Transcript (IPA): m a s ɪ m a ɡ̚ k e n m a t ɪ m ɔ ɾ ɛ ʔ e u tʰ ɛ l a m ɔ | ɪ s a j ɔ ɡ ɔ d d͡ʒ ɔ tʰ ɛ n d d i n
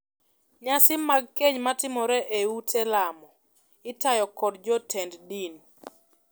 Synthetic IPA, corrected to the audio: ɲ a s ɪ m a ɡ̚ k e ɲ m a t ɪ m ɔ ɾ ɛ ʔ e u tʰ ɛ l a m ɔ | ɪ t a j ɔ k ɔ d d͡ʒ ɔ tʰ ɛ n d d i n